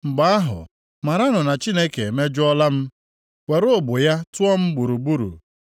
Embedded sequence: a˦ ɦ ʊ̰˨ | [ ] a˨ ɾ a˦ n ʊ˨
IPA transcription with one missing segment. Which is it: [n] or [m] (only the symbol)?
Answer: m